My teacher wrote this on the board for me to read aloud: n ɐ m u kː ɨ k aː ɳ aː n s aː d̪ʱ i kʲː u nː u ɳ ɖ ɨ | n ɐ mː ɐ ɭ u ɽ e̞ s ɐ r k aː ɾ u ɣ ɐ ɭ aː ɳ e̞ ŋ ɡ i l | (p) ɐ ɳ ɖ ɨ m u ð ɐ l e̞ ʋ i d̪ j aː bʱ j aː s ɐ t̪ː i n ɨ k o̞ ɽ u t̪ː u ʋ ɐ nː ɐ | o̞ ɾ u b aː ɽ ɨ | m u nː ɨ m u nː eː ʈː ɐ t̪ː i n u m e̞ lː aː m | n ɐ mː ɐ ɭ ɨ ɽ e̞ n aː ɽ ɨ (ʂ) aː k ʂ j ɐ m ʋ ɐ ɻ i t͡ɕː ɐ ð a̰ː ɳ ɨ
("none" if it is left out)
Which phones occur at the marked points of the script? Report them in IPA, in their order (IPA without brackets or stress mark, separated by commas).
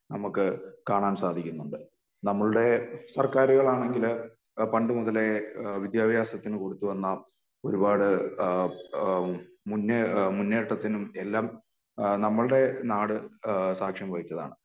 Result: p, s